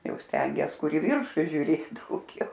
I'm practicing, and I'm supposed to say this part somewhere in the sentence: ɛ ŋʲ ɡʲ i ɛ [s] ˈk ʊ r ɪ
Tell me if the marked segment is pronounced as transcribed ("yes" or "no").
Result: yes